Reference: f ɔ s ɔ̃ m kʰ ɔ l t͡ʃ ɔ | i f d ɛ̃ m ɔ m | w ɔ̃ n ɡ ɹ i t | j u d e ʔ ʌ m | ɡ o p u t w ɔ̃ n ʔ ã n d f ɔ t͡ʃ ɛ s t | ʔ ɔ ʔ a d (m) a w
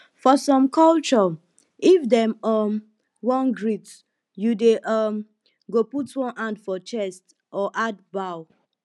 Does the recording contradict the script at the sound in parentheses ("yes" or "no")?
yes